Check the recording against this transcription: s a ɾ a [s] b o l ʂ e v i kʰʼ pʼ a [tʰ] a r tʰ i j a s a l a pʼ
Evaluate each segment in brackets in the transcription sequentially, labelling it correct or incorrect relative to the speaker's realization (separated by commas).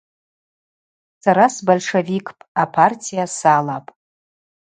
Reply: correct, incorrect